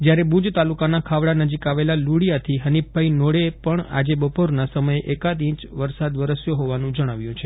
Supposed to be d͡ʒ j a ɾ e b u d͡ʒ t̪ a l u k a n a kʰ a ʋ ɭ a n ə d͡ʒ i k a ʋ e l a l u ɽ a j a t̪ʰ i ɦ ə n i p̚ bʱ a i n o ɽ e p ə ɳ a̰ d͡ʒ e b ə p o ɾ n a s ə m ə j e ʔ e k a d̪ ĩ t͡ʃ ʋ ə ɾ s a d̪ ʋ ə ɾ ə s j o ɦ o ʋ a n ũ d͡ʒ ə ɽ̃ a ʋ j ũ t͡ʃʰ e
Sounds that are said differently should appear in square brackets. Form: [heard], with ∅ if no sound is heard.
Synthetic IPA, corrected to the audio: d͡ʒ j a ɾ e b u d͡ʒ t̪ a l u k a n a kʰ a ʋ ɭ a n ə d͡ʒ i k a ʋ e l a l u ɽ [i] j a t̪ʰ i ɦ ə n i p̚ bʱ a i n o ɽ e p ə ɳ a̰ d͡ʒ e b ə p o ɾ n a s ə m ə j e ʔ e k a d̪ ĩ t͡ʃ ʋ ə ɾ s a d̪ ʋ ə ɾ ə s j o ɦ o ʋ a n ũ d͡ʒ ə ɽ̃ a ʋ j ũ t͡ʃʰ e